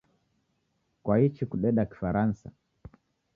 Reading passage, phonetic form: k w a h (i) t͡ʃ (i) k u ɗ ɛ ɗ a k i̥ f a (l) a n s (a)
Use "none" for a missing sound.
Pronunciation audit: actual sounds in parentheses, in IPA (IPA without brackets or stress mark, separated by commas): i, i, ɾ, a